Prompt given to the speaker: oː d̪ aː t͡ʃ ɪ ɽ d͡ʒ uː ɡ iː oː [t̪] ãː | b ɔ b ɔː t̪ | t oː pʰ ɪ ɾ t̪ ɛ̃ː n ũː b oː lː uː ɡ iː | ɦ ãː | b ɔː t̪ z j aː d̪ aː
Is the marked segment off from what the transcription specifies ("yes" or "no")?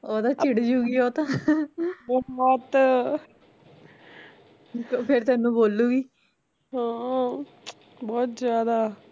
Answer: no